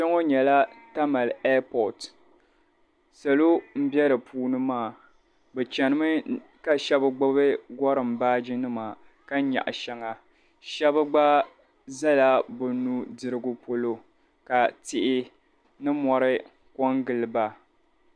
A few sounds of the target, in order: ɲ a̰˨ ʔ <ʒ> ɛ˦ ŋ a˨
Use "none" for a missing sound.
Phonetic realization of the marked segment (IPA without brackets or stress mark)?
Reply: ʃ